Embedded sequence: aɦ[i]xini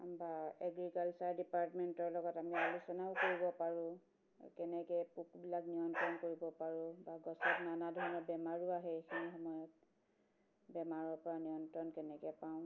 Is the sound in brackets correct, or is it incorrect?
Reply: incorrect